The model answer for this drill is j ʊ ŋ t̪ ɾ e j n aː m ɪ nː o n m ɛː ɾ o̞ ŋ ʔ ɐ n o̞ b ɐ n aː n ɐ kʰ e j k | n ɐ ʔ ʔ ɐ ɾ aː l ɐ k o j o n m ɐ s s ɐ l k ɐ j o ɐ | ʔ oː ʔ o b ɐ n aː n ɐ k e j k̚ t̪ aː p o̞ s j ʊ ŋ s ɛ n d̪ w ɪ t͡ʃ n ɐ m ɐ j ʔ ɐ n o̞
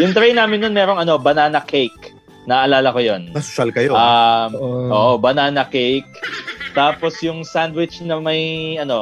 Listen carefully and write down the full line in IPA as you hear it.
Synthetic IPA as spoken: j ʊ ŋ t̪ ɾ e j n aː m ɪ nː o n m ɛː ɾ o̞ ŋ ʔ ɐ n o̞ b ɐ n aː n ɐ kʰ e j k | n ɐ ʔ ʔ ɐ l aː l ɐ k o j o n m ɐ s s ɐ l k ɐ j o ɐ | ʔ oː ʔ o b ɐ n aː n ɐ k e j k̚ t̪ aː p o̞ s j ʊ ŋ s a n d̪ w ɪ t͡ʃ n ɐ m ɐ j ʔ ɐ n o̞